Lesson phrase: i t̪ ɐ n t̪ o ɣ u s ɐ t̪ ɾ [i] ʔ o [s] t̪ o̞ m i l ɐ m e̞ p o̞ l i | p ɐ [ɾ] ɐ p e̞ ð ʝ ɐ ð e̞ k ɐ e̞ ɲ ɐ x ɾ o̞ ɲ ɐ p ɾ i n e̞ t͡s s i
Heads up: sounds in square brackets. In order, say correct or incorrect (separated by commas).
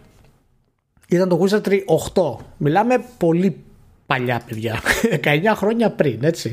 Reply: correct, incorrect, incorrect